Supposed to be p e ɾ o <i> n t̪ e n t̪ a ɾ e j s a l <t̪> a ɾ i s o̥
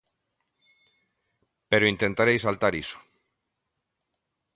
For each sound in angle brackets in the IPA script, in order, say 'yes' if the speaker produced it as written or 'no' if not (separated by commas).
yes, yes